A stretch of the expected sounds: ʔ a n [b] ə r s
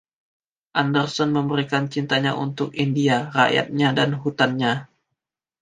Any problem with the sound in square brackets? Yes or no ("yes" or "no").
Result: yes